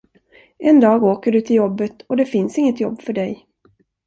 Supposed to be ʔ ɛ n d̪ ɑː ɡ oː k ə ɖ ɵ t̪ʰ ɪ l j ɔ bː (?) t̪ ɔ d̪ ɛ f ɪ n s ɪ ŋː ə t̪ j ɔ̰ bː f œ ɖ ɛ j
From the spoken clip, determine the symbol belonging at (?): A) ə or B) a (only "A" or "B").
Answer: A